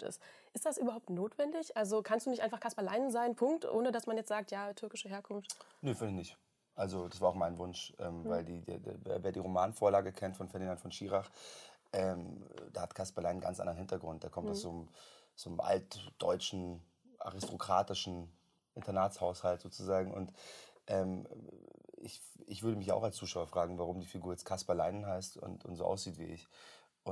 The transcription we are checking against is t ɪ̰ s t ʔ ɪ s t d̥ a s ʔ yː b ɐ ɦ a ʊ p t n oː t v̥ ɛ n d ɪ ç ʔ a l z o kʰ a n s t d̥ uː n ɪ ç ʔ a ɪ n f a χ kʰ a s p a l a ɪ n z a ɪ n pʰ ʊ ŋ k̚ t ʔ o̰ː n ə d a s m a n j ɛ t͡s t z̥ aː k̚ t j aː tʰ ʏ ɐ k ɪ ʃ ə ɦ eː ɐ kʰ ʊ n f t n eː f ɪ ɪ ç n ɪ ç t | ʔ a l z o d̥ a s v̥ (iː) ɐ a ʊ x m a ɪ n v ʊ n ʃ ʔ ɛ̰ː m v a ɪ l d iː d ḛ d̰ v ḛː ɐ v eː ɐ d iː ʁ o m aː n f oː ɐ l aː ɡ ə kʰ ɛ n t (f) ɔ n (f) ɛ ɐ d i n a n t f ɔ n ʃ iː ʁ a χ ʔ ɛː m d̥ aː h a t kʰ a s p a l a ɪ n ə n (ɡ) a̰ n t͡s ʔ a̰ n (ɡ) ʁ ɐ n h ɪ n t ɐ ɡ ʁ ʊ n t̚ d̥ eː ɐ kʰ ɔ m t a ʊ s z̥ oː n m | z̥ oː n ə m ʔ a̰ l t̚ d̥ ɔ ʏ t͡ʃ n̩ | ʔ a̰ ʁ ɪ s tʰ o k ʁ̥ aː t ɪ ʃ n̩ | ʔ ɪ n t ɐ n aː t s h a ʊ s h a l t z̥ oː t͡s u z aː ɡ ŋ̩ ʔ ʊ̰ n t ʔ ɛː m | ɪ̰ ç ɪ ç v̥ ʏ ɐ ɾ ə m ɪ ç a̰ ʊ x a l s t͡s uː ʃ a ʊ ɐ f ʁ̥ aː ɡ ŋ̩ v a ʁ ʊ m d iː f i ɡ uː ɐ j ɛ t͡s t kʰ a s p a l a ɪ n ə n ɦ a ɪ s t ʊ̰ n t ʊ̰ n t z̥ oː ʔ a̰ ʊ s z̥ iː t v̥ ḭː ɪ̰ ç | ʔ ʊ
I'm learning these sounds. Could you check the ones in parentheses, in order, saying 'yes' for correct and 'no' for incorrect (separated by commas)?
no, yes, yes, yes, no